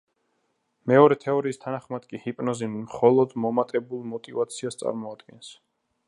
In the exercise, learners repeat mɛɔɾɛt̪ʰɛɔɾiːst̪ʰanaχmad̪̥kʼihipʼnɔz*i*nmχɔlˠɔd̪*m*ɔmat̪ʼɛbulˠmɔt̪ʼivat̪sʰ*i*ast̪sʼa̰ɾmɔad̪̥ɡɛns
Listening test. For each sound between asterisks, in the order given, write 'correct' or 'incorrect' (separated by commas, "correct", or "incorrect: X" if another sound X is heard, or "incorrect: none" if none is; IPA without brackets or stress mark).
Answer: correct, correct, correct